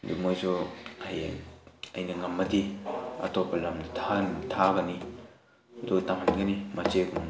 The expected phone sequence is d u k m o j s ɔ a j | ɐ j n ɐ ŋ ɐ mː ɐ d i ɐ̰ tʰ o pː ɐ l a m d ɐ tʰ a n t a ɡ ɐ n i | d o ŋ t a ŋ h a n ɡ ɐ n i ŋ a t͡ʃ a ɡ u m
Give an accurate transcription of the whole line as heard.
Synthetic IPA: d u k m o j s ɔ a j | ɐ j n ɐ ŋ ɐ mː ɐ d i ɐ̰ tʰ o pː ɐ l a m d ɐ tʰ a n tʰ a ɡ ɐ n i | d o t a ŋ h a n ɡ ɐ n i m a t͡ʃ e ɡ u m